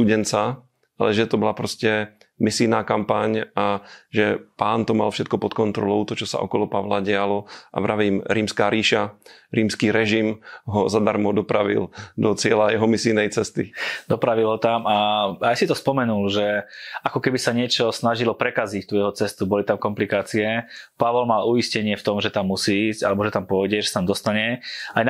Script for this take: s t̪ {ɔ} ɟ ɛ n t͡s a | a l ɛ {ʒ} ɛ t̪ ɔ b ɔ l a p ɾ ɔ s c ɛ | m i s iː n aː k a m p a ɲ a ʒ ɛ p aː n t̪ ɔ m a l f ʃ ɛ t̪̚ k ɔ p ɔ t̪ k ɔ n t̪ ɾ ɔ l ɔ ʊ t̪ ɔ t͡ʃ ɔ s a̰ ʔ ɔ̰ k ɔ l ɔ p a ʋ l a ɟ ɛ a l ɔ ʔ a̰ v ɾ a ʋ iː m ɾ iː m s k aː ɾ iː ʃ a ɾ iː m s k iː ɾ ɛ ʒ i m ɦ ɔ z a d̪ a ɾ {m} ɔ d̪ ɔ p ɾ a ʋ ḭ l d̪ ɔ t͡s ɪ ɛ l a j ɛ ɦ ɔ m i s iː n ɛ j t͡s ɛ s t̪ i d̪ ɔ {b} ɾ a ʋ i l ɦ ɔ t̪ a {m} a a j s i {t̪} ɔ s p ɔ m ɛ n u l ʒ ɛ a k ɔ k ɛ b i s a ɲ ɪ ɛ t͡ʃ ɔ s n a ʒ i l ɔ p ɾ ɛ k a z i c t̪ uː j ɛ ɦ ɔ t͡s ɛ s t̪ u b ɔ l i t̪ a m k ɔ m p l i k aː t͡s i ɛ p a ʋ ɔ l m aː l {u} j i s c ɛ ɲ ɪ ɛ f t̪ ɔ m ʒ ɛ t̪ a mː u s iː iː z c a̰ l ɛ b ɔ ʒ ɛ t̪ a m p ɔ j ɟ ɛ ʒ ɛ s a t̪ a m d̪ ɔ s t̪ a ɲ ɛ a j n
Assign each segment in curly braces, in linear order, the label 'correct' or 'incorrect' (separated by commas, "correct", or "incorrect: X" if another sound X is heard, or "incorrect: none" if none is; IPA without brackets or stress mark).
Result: incorrect: u, correct, correct, incorrect: p, correct, correct, correct